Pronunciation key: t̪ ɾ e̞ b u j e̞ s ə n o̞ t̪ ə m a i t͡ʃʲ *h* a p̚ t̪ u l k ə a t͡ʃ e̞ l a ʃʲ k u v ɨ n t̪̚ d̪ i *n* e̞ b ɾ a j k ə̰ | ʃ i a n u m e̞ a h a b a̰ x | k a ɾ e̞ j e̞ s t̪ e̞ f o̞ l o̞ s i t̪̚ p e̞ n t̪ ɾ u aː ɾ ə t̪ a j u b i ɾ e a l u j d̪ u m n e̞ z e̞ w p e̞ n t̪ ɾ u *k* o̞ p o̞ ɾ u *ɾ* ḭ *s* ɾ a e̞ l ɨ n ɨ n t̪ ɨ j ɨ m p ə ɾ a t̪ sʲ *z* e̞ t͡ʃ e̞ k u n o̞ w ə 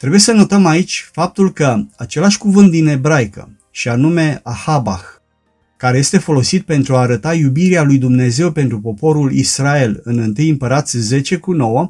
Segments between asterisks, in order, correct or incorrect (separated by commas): incorrect, correct, incorrect, incorrect, correct, correct